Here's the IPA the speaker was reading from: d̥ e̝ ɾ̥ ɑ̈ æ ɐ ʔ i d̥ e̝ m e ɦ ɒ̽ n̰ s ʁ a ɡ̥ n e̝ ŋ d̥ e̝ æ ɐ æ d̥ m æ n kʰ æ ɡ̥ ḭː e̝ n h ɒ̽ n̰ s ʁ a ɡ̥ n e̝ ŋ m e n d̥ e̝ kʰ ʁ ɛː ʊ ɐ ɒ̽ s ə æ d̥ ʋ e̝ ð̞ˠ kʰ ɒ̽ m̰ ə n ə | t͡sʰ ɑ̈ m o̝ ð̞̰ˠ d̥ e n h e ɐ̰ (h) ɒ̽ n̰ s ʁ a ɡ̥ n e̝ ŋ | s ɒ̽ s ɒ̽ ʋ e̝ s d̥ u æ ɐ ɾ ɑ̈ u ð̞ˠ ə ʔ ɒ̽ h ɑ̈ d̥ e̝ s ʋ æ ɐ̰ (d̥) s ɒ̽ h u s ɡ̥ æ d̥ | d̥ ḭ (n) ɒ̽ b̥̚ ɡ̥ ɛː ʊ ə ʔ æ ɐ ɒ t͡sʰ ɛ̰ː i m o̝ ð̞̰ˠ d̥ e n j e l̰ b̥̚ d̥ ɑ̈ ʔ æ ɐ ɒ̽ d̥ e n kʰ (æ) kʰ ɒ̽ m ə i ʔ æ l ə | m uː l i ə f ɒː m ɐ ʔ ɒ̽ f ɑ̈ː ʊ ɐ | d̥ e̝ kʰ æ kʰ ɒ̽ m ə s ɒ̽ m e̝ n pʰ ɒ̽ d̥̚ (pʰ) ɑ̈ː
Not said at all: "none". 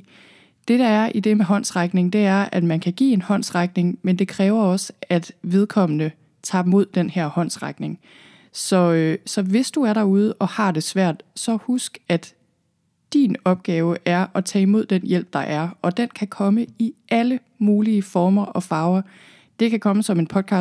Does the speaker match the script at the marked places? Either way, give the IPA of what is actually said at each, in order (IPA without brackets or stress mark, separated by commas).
h, d̥, n, æ, kʰ